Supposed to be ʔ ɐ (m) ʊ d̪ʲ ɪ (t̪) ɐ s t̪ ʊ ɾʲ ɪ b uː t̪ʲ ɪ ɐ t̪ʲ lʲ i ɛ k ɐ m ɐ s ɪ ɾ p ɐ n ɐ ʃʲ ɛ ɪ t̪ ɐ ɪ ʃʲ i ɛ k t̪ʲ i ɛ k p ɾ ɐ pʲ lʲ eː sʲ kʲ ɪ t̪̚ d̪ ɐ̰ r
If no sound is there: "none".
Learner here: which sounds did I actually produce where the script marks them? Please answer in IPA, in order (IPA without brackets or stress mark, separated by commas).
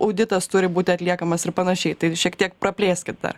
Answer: none, t̪